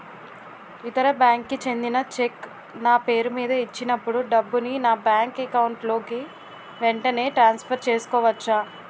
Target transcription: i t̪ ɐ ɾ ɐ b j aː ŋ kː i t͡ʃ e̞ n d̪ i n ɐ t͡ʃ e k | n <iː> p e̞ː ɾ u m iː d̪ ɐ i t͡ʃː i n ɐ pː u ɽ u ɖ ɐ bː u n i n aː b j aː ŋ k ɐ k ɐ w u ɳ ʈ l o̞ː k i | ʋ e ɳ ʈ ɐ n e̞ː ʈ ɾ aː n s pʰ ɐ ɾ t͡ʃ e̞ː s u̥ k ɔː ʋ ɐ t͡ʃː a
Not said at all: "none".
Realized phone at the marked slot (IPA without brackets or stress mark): aː